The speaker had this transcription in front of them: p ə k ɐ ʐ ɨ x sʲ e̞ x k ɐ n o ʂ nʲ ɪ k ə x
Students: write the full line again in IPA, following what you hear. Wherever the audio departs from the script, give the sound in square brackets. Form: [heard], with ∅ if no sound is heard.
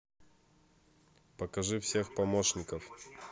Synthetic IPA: p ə k ɐ ʐ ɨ [f] sʲ e̞ x [p] ɐ [m] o ʂ nʲ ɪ k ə [f]